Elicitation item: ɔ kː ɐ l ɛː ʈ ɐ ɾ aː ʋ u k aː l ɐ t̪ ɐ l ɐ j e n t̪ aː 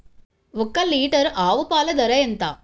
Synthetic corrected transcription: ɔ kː ɐ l iː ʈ ɐ ɾ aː ʋ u p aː l ɐ d̪ ɐ ɾ ɐ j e n t̪ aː